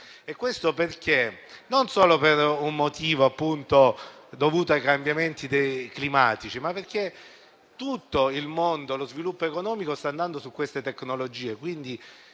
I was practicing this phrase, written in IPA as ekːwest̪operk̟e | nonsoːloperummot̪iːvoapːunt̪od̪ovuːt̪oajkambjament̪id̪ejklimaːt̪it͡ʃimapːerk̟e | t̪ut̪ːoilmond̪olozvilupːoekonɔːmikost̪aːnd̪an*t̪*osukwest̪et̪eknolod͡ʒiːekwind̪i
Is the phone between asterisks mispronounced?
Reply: yes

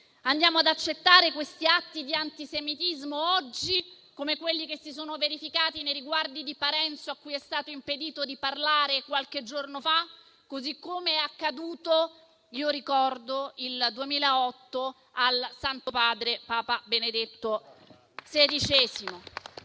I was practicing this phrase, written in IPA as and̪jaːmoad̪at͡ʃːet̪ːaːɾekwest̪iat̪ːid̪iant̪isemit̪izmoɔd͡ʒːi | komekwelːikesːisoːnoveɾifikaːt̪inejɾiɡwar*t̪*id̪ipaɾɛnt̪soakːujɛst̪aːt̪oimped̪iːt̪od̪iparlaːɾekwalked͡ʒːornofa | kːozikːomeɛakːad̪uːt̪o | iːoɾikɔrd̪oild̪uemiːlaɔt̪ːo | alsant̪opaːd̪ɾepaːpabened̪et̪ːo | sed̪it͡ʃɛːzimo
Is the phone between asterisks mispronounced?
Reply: yes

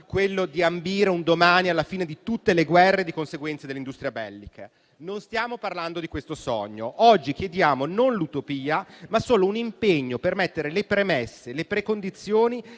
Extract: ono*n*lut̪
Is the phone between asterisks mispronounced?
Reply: no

